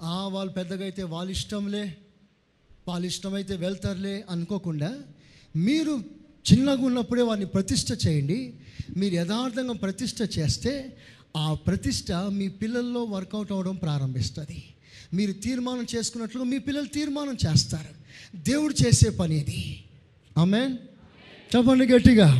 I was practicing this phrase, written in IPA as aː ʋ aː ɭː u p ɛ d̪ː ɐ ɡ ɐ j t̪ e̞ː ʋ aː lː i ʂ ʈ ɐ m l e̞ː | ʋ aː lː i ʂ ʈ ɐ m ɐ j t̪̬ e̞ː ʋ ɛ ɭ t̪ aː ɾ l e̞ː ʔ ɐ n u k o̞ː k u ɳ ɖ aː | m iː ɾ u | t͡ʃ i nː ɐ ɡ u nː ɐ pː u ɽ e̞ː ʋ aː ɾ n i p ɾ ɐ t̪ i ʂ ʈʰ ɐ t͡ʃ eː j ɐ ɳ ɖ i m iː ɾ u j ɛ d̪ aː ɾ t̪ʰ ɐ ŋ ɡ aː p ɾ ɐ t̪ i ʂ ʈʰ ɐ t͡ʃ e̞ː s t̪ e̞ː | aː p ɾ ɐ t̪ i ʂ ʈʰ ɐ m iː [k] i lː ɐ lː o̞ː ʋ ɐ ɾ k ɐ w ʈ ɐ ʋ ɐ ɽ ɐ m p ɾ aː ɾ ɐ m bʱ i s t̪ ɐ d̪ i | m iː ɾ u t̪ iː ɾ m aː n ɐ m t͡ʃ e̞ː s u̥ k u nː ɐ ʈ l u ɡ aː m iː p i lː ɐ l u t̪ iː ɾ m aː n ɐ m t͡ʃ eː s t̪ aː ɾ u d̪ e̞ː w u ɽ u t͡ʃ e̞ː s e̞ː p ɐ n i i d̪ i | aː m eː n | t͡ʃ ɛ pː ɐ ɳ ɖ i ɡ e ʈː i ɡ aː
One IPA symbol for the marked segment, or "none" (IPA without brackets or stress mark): p